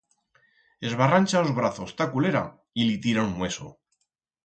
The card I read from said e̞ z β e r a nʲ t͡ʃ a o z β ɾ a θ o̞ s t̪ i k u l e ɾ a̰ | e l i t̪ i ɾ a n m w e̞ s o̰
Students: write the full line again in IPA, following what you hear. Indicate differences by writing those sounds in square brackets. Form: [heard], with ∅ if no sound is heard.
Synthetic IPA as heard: e̞ z β [a] r a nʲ t͡ʃ a o z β ɾ a θ o̞ s t̪ [a] k u l e ɾ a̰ | [i] l i t̪ i ɾ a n m w e̞ s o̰